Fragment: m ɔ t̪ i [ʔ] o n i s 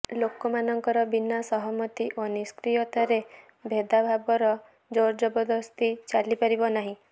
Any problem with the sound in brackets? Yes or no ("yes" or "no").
no